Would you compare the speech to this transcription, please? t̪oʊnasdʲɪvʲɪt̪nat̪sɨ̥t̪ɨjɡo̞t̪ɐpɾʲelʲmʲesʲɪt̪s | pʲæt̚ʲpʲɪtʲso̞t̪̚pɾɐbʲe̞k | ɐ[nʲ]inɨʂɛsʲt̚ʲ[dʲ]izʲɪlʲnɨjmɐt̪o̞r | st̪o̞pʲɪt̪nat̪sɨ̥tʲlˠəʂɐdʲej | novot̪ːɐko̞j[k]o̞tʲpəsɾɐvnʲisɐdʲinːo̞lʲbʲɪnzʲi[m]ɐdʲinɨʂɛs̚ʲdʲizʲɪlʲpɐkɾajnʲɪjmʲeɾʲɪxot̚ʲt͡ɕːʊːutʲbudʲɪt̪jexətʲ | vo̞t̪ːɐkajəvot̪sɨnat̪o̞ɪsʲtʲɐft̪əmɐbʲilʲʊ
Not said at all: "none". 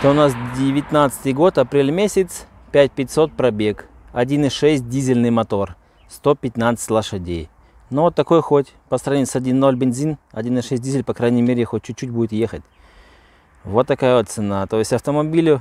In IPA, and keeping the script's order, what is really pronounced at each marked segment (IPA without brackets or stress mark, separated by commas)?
dʲ, dʲ, x, n